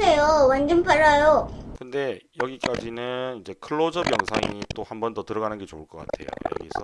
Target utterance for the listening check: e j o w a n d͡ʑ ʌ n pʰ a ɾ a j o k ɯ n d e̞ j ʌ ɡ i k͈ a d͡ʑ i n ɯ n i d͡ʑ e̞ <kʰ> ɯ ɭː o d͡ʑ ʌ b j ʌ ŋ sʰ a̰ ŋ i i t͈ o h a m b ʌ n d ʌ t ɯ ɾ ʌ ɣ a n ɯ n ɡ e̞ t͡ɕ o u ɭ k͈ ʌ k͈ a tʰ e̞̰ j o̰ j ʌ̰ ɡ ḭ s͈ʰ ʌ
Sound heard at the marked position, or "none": kʰ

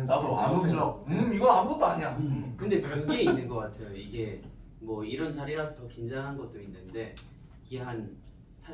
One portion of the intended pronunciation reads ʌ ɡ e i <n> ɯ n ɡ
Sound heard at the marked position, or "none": nː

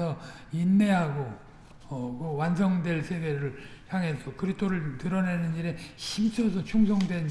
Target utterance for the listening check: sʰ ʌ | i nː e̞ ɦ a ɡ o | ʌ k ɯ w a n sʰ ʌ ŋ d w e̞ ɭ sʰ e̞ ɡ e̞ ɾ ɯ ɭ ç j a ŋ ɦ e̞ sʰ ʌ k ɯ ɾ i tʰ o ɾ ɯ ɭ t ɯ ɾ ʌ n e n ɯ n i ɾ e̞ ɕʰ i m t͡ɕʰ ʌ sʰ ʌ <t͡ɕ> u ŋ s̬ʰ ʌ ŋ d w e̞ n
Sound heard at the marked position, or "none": t͡ɕʰ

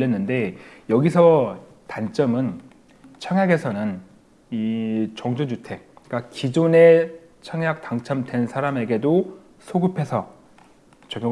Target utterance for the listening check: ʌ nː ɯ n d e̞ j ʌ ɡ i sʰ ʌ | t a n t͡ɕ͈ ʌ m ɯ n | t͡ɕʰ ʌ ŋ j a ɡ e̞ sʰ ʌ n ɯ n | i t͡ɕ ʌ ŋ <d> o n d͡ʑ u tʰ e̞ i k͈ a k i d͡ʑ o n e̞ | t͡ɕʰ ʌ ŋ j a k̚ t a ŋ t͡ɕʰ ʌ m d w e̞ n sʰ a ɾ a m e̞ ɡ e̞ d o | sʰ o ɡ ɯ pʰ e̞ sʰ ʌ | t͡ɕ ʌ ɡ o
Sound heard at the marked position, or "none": d͡ʑ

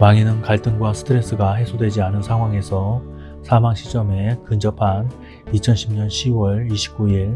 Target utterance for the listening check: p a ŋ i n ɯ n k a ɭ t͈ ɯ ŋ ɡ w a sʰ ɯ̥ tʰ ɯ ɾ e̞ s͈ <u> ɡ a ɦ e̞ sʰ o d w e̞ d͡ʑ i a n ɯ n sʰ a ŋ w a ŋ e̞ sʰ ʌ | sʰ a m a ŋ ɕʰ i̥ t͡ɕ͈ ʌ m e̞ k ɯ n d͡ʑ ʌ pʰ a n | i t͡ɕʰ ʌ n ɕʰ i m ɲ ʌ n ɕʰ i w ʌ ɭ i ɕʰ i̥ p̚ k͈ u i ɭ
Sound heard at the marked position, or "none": ɯ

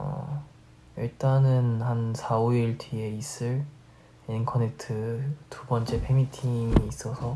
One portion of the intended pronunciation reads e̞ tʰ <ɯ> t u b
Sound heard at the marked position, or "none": ɯ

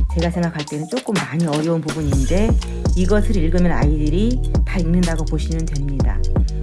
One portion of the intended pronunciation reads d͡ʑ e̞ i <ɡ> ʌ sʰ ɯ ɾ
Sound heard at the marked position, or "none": ɡ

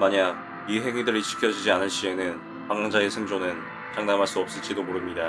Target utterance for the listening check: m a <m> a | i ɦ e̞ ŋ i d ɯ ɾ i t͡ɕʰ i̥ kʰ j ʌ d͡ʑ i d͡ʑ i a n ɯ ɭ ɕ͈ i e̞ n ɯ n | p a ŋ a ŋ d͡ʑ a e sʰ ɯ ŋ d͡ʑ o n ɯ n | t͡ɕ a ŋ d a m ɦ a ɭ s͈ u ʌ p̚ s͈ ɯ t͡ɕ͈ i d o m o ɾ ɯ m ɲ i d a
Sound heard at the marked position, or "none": ɲ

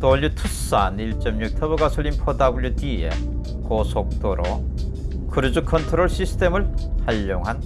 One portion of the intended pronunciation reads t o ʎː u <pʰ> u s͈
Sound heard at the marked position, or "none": tʰ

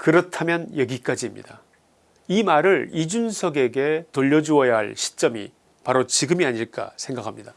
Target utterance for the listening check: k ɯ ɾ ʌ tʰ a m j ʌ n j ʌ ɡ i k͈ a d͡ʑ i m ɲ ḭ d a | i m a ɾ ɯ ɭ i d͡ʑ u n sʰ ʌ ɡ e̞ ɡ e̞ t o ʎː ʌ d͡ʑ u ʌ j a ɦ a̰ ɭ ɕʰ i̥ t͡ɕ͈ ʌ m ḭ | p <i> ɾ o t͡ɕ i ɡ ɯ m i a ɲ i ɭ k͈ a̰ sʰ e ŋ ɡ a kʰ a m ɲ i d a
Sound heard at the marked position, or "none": a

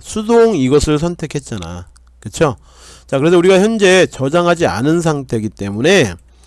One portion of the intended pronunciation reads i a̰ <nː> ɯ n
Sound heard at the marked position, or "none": n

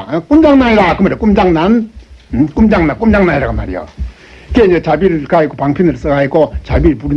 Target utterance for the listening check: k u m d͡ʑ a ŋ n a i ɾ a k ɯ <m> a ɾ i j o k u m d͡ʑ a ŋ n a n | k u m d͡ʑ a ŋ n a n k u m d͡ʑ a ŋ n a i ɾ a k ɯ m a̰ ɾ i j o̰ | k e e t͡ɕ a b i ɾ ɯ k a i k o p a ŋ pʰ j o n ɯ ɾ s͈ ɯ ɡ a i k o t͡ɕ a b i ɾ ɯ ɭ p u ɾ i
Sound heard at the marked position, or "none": m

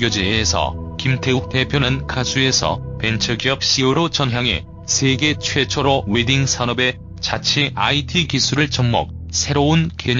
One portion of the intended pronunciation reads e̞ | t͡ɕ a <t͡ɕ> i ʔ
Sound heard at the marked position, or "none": t͡ɕʰ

